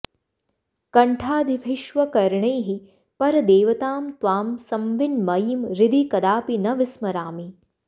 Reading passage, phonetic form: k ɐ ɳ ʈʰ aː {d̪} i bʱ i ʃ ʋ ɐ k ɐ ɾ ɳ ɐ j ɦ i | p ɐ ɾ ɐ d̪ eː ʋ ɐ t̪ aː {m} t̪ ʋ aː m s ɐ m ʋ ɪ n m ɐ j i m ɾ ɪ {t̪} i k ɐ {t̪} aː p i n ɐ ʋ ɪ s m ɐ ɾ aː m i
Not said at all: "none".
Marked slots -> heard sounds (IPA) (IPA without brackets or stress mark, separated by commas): d̪, m, d̪, d̪